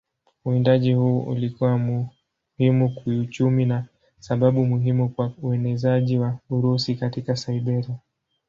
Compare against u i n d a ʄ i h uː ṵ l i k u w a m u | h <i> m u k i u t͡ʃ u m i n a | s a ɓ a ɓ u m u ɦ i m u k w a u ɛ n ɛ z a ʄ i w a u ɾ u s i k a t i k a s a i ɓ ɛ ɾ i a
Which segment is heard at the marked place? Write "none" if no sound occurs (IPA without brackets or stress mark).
i